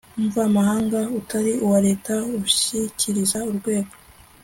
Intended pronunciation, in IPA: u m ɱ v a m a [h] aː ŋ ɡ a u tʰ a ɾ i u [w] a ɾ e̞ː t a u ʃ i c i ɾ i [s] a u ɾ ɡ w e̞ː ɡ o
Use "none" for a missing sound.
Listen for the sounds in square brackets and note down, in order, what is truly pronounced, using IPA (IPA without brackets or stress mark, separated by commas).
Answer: h, w, z